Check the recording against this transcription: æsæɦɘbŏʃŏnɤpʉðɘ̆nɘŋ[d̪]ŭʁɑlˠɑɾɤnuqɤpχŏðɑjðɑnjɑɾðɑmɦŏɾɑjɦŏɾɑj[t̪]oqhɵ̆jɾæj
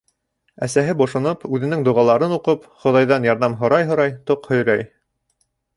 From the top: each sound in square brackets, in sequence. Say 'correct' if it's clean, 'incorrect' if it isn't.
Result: correct, correct

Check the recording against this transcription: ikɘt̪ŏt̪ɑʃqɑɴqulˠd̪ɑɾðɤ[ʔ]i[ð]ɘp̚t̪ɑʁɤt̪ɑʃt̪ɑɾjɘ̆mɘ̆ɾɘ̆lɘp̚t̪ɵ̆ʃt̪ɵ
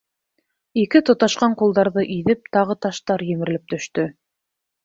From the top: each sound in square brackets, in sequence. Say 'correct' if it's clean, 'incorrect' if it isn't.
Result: correct, correct

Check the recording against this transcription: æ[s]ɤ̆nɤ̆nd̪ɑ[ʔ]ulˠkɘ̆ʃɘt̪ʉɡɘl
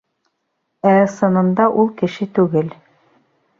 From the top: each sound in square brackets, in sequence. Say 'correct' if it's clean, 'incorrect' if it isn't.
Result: correct, correct

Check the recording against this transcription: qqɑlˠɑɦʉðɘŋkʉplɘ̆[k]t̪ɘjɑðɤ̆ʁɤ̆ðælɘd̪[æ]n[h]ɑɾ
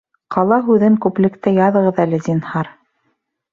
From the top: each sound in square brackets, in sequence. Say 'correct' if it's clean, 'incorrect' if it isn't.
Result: correct, incorrect, correct

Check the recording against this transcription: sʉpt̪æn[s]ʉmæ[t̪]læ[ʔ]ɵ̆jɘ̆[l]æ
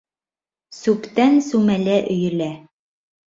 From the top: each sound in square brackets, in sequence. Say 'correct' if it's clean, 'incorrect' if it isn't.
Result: correct, incorrect, correct, correct

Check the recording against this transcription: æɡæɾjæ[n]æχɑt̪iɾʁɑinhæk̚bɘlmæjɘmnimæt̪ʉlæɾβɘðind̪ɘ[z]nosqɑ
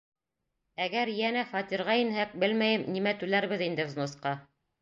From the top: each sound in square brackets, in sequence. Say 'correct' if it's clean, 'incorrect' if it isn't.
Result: correct, correct

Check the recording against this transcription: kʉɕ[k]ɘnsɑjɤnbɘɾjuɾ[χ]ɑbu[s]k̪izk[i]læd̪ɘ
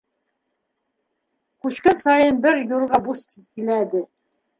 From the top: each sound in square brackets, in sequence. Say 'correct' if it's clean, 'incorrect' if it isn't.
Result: correct, incorrect, correct, correct

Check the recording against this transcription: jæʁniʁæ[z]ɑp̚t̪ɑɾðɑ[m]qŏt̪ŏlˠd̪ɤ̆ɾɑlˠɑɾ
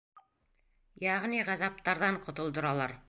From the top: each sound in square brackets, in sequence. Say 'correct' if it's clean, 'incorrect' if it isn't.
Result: correct, incorrect

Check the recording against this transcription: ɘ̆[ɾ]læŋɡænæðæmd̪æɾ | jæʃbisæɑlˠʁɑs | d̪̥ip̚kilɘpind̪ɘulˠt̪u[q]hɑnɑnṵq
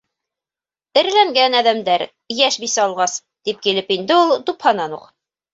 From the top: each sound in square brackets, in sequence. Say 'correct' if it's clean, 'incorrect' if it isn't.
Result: correct, incorrect

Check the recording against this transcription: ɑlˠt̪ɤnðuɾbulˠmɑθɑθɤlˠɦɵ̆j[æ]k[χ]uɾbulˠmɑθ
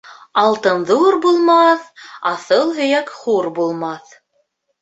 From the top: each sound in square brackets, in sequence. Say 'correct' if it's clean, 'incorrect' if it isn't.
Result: correct, correct

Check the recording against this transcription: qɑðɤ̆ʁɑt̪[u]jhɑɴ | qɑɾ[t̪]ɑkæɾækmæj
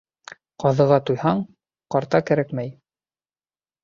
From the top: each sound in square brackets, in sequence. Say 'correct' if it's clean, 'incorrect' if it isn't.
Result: correct, correct

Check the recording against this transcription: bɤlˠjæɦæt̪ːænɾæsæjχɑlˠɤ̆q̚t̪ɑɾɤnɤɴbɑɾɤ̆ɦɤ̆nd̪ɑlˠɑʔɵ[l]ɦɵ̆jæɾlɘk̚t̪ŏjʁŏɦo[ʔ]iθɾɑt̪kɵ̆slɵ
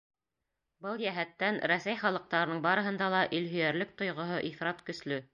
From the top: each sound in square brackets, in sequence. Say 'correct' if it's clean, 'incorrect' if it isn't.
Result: correct, correct

